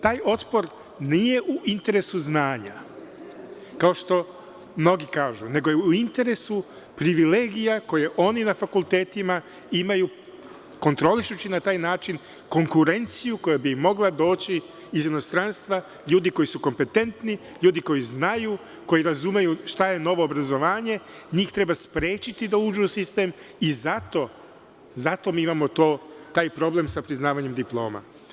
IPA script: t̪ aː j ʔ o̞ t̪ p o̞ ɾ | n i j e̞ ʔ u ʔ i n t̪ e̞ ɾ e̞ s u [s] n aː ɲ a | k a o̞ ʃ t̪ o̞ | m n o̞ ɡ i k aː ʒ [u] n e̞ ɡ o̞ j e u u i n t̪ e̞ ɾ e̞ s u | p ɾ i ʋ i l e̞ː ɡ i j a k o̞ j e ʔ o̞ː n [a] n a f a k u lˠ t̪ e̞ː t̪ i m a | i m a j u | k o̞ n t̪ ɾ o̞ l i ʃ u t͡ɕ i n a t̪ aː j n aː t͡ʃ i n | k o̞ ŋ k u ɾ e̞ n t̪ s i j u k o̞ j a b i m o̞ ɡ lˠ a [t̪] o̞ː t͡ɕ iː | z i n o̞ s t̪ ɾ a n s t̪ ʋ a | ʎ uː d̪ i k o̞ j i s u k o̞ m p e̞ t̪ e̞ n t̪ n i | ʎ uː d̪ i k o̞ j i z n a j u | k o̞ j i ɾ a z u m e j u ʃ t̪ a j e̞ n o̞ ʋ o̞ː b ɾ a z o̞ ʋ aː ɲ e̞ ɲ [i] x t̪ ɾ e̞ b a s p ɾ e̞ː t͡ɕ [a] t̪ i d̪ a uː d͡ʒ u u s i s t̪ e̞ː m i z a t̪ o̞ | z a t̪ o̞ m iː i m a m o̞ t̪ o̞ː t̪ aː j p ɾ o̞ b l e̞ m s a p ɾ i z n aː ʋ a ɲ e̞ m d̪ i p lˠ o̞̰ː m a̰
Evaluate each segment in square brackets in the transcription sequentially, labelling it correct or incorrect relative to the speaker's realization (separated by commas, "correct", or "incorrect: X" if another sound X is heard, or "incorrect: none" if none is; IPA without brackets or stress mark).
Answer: incorrect: z, correct, incorrect: i, incorrect: d̪, incorrect: iː, incorrect: i